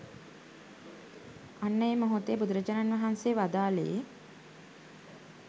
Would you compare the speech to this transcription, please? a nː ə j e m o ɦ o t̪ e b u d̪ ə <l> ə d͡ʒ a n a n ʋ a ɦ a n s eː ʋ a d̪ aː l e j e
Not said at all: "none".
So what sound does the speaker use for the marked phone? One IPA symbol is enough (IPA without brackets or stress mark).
ɾ